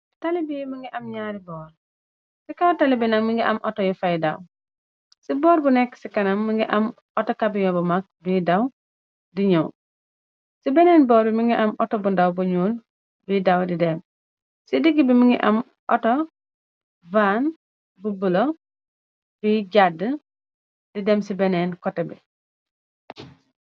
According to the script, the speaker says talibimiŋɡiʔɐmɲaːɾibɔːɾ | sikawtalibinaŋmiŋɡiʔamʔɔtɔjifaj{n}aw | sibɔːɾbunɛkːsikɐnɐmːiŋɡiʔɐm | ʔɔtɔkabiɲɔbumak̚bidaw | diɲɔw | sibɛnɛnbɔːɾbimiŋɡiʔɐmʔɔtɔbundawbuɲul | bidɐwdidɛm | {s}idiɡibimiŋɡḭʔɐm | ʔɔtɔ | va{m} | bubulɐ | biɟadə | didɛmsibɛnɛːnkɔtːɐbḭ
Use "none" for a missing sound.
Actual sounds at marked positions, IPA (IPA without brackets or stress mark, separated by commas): d, s, n